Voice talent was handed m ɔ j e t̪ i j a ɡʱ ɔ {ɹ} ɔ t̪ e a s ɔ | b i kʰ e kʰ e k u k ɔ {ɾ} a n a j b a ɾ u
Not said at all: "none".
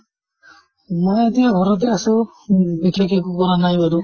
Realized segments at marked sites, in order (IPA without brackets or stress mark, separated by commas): ɾ, ɾ